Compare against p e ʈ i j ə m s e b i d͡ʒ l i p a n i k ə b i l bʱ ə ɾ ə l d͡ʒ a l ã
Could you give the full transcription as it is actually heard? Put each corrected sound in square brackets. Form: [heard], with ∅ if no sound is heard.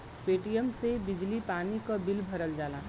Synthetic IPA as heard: p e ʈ i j ə m s e b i d͡ʒ l i p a n i k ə b i l bʱ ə ɾ ə l d͡ʒ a l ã